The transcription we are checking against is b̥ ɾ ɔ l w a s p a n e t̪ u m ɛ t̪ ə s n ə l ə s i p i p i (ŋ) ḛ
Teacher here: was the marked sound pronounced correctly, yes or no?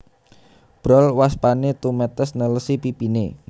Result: no